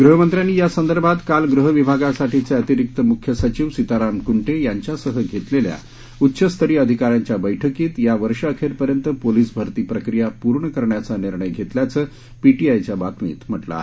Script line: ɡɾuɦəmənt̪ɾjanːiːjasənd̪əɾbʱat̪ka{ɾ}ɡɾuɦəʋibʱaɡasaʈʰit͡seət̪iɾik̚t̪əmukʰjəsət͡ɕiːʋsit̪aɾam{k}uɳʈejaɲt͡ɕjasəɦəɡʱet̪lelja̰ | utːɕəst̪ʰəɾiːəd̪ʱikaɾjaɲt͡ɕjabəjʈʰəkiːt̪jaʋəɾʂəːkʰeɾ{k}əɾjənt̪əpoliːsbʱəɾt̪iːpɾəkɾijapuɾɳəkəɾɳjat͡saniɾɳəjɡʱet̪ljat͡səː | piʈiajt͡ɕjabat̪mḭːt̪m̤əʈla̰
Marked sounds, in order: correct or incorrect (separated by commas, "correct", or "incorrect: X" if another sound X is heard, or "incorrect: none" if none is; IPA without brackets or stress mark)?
incorrect: l, correct, incorrect: p